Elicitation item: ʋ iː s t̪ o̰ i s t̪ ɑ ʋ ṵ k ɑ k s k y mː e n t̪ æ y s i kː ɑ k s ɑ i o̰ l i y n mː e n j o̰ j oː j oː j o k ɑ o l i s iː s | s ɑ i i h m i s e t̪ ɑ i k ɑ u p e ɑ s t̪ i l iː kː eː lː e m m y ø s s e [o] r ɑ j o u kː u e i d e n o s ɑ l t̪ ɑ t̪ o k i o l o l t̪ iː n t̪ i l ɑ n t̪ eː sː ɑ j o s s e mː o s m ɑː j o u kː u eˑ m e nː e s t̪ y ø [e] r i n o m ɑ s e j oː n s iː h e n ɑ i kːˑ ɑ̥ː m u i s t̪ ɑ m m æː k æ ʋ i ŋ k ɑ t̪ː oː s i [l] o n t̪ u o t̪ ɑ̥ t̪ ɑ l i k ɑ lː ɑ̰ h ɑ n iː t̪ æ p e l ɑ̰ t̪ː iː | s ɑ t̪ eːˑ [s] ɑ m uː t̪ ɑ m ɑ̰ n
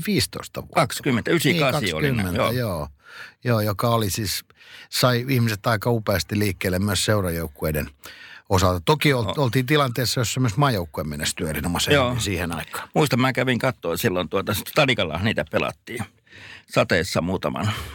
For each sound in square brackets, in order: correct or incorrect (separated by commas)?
incorrect, correct, incorrect, incorrect